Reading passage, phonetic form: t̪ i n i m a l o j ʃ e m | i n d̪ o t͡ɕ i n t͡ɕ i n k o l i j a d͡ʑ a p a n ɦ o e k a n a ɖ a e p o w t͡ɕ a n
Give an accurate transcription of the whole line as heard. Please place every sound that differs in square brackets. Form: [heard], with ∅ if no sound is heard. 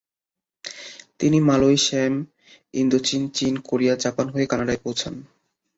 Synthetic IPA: t̪ i n i m a l o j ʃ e m | i n d̪ o t͡ɕ i n t͡ɕ i n k o [ɾ] i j a d͡ʑ a p a n ɦ o e k a n a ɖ a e p o w [t͡ɕʰ] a n